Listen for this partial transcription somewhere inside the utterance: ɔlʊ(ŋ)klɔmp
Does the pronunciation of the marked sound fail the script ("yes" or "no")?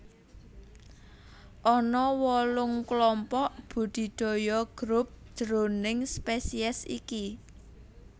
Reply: no